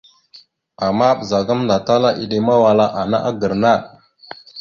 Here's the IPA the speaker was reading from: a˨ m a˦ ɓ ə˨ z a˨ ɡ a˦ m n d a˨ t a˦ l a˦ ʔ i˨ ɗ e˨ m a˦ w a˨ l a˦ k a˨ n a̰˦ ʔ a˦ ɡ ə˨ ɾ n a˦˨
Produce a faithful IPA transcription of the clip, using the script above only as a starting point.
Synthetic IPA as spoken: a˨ m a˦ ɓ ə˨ z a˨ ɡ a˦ m n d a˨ t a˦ l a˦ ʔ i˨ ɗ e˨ m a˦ w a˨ l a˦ ʔ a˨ n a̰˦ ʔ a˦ ɡ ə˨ ɾ n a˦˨